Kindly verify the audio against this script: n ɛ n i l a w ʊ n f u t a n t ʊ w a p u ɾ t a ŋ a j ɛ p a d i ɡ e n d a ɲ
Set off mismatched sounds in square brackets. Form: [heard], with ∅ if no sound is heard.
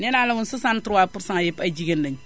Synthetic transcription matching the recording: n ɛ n [a] l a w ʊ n [s] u [s] a n t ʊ w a p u ɾ [s] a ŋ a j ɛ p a [d͡ʒ] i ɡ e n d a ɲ